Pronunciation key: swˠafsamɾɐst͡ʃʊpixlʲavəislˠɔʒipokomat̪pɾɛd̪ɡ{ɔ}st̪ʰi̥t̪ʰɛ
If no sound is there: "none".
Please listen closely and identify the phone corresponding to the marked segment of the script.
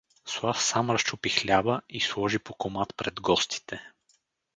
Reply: ɔ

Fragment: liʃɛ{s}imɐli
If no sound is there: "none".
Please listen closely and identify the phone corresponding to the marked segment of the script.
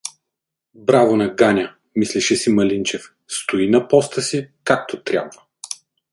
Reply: s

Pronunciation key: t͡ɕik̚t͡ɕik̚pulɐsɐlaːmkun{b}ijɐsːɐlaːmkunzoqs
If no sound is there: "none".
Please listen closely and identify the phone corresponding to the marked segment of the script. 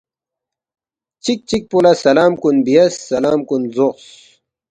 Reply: b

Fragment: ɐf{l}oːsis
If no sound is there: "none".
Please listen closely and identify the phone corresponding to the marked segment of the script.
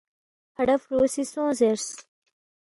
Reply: ɾ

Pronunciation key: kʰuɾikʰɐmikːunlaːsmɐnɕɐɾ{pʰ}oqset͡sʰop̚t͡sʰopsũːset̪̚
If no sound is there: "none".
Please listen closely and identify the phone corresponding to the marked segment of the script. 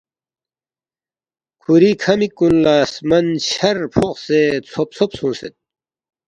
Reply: pʰ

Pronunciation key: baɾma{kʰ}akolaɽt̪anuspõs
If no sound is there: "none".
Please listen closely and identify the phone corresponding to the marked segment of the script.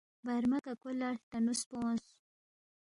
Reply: k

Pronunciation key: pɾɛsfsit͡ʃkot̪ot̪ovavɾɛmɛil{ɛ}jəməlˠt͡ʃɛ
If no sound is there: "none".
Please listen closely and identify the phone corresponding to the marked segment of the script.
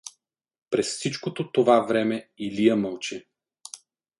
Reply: i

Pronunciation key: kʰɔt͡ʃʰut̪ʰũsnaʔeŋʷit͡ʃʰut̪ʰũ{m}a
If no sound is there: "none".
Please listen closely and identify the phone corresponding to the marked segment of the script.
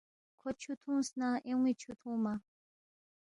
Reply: m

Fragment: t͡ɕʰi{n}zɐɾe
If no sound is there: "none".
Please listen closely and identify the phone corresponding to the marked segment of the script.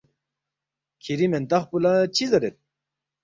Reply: none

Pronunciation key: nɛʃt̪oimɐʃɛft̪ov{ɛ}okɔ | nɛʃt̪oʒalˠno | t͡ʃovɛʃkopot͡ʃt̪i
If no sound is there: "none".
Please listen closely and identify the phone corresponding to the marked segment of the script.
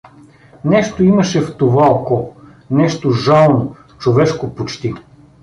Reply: a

